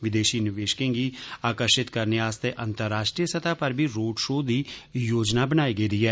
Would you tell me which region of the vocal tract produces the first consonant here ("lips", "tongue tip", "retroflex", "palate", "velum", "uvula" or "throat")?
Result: lips